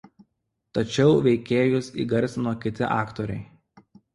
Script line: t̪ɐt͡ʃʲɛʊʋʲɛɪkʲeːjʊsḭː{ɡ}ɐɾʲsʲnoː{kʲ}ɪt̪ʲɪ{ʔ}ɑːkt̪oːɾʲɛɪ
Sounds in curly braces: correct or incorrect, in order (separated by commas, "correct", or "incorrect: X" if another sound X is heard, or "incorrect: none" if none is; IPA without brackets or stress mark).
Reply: correct, correct, correct